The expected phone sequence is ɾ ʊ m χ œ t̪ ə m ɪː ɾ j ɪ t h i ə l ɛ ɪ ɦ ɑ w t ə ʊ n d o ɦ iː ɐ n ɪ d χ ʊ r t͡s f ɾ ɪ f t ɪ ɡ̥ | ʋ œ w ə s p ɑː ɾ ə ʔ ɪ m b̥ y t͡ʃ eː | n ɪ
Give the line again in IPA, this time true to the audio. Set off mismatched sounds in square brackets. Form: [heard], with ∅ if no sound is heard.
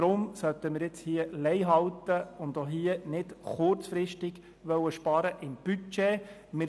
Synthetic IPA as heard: ɾ ʊ m [s] œ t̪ ə m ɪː ɾ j ɪ [t͡s] h i ə l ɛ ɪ ɦ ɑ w t ə ʊ n d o ɦ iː [ə] n ɪ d χ ʊ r t͡s f ɾ ɪ [ʃ] t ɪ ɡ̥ | ʋ œ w ə [ʃ] p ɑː ɾ ə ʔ ɪ m b̥ y t͡ʃ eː | [m] ɪ